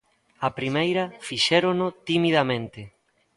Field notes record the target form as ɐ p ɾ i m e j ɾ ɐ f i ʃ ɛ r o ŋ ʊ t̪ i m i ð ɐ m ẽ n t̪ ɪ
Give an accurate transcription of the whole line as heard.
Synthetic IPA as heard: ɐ p ɾ i m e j ɾ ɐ f i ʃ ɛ ɾ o n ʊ t̪ i m i ð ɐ m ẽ n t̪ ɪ

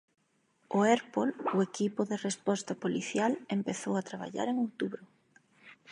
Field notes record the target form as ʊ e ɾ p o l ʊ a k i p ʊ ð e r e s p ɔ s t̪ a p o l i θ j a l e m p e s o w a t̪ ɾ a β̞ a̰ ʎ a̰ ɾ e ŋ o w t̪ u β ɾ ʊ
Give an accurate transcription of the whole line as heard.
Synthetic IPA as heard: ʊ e ɾ p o l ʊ e k i p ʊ ð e r e s p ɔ s t̪ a p o l i θ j a l e m p e θ o w a t̪ ɾ a β̞ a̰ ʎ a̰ ɾ e ŋ o w t̪ u β ɾ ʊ

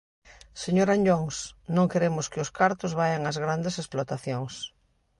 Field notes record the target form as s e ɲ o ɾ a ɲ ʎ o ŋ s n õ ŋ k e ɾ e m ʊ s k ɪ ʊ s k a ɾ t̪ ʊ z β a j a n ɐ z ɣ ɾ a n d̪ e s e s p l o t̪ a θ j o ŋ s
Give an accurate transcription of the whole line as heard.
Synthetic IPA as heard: s e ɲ o ɾ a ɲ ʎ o ŋ s n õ ŋ k e ɾ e m ʊ s k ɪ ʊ s k a ɾ t̪ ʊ z β a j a ŋ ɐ z ɣ ɾ a n d̪ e s e s p l o t̪ a θ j o ŋ s

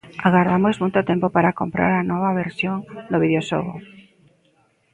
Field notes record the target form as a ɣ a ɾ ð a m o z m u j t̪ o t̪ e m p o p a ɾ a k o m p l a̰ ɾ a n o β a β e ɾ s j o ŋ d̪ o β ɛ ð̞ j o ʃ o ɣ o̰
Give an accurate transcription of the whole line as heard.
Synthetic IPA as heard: a ɣ a ɾ ð a m o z m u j t̪ o t̪ e m p o p a ɾ a k o m p ɾ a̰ ɾ a n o β a β e ɾ s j o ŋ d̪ o β i ð̞ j o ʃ o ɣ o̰

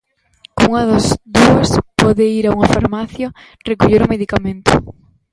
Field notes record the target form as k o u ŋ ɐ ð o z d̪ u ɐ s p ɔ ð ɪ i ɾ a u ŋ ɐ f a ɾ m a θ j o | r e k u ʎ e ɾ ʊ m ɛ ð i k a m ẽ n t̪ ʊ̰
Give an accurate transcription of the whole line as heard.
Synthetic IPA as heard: k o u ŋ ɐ ð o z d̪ u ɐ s p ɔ ð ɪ i ɾ a u ŋ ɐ f a ɾ m a θ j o | r e k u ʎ e ɾ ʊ m e ð i k a m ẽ n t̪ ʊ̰

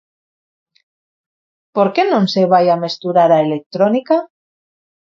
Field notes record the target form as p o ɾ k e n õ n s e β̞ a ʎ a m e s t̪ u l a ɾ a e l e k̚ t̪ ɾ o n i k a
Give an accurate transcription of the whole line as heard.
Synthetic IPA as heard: p o ɾ k e n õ n s e β̞ a j a m e s t̪ u ɾ a ɾ a e l e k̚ t̪ ɾ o n i k a

